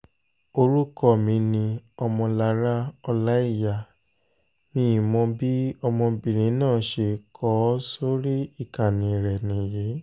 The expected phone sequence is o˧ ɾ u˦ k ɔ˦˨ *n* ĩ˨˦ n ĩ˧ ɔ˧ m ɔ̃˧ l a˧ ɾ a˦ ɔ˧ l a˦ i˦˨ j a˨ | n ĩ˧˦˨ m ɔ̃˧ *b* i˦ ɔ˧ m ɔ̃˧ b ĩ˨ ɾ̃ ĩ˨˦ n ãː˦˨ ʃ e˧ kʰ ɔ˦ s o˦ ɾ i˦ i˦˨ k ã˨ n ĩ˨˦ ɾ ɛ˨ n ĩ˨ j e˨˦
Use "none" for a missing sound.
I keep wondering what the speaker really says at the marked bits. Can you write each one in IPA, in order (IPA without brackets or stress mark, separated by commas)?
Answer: m, b